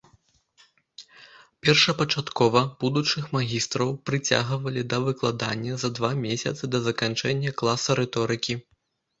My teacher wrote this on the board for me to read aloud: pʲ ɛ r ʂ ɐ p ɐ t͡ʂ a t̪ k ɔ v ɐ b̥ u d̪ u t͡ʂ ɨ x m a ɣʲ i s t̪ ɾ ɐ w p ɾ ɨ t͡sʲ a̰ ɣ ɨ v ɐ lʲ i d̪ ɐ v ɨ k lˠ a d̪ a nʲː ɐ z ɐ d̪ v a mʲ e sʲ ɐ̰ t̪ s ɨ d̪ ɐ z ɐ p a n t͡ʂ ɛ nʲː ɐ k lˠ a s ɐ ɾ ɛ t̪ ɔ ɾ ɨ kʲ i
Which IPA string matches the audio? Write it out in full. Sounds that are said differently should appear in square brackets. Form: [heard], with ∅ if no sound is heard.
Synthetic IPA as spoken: pʲ ɛ r ʂ ɐ p ɐ t͡ʂ a t̪ k ɔ v ɐ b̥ u d̪ u t͡ʂ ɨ x m a ɣʲ i s t̪ ɾ ɐ w p ɾ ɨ t͡sʲ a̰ ɣ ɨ v ɐ lʲ i d̪ ɐ v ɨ k lˠ a d̪ a nʲː ɐ z ɐ d̪ v a mʲ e sʲ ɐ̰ t̪ s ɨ d̪ ɐ z ɐ [k] a n t͡ʂ ɛ nʲː ɐ k lˠ a s ɐ ɾ ɛ t̪ ɔ ɾ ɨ kʲ i